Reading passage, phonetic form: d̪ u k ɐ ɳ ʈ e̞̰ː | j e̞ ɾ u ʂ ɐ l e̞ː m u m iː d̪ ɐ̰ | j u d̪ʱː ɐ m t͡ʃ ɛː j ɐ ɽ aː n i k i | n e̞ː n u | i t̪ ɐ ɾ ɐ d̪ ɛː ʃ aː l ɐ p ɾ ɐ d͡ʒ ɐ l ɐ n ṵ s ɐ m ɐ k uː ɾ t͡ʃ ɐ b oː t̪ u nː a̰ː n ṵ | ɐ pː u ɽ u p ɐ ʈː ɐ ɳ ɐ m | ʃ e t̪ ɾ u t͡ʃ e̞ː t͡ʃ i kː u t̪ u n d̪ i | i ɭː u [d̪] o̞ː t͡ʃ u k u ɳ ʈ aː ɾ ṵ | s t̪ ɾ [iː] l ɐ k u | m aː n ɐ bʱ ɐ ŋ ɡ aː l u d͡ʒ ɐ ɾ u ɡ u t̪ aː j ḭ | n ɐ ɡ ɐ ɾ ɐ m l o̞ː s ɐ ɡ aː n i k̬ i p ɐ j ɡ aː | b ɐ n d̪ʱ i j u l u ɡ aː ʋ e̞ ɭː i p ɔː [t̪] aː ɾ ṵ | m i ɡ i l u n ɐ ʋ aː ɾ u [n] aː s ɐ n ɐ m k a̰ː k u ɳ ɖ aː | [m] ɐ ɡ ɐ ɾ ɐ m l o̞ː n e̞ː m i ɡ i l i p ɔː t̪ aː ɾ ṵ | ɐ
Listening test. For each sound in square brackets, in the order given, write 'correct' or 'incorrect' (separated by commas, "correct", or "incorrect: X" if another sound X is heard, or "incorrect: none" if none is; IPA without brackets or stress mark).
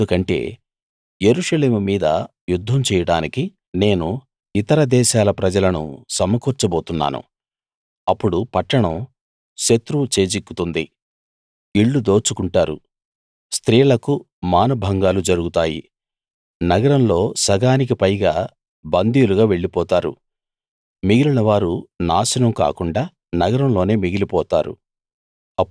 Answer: correct, correct, correct, correct, incorrect: n